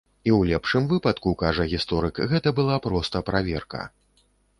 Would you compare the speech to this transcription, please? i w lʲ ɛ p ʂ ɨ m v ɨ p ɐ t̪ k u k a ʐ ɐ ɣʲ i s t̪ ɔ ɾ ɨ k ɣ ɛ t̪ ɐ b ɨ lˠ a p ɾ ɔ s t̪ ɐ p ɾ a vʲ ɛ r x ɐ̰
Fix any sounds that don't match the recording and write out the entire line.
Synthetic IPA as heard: i w lʲ ɛ p ʂ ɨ m v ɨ p ɐ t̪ k u k a ʐ ɐ ɣʲ i s t̪ ɔ ɾ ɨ k ɣ ɛ t̪ ɐ b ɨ lˠ a p ɾ ɔ s t̪ ɐ p ɾ a vʲ ɛ r k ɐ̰

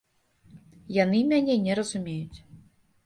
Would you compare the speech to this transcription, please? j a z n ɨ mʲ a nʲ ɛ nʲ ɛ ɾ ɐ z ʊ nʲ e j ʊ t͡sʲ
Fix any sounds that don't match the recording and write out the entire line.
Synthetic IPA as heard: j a n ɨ mʲ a nʲ ɛ nʲ ɛ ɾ ɐ z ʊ mʲ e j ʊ t͡sʲ

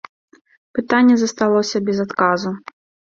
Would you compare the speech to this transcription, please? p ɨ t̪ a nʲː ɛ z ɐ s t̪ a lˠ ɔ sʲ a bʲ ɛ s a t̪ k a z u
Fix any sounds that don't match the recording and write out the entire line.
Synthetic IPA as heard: p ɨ t̪ a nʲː ɛ z ɐ s t̪ a lˠ ɔ sʲ ɐ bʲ ɛ z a t̪ k a z u

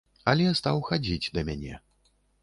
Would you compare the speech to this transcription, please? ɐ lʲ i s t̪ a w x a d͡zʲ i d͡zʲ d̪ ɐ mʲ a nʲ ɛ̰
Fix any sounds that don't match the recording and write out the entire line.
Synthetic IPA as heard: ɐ lʲ ɛ s t̪ a w x a d͡zʲ i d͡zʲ d̪ ɐ mʲ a nʲ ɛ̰

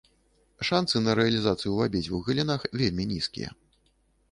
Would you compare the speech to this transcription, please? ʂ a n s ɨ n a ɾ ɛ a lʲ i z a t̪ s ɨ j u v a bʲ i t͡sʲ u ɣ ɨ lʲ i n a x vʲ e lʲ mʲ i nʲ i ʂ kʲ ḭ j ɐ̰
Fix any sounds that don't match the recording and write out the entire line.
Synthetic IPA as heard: ʂ a n s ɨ n ɐ ɾ ɛ ɐ lʲ i z a t̪ s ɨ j u v a bʲ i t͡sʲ u ɣ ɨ lʲ i n a x vʲ e lʲ mʲ i nʲ i s kʲ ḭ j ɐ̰

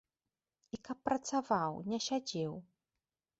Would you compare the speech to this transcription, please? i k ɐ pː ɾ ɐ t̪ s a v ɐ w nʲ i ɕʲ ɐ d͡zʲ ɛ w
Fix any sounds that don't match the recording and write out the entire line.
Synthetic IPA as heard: i k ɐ pː ɾ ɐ t̪ s a v a w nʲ ɛ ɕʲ a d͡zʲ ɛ w

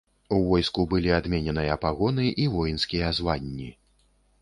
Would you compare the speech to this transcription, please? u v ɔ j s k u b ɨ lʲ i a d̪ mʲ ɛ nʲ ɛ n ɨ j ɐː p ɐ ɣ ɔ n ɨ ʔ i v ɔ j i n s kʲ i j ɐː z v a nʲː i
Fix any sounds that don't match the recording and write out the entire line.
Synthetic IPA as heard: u v ɔ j s k u b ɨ lʲ i a d̪ mʲ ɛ nʲ ɛ n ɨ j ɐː p a ɣ ɔ n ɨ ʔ i v ɔ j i n s kʲ i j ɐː z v a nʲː i

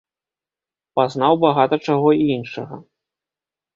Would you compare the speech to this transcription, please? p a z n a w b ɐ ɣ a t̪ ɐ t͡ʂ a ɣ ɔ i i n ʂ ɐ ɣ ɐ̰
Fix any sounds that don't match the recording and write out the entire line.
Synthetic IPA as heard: p a z n a w b a ɣ a t̪ ɐ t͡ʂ a ɣ ɔ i i n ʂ ɐ ɣ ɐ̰

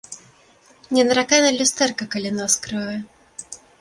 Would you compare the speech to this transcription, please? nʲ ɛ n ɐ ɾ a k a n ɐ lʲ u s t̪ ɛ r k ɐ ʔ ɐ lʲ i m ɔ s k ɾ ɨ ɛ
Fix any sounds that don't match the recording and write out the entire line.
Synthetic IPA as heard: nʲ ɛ n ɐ ɾ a k a n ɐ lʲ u s t̪ ɛ r k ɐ k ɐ lʲ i n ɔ s k ɾ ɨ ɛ

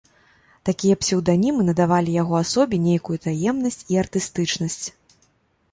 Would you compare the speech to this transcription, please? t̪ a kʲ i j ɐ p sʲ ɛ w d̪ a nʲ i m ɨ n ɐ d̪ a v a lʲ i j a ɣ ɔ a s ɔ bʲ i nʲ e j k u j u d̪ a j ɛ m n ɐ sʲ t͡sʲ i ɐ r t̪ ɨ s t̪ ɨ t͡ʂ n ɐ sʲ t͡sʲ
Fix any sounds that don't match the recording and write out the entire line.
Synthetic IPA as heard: t̪ a kʲ i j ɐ p sʲ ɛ w d̪ a nʲ i m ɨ n ɐ d̪ a v a lʲ i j a ɣ ɔ a s ɔ bʲ i nʲ e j k u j u t̪ a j ɛ m n ɐ sʲ t͡sʲ i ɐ r t̪ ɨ s t̪ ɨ t͡ʂ n ɐ sʲ t͡sʲ

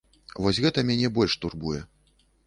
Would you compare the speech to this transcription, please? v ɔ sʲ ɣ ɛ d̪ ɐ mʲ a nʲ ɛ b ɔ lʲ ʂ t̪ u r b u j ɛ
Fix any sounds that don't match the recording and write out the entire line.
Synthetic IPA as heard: v ɔ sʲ ɣ ɛ t̪ ɐ mʲ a nʲ ɛ b ɔ lʲ ʂ t̪ u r b u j ɛ

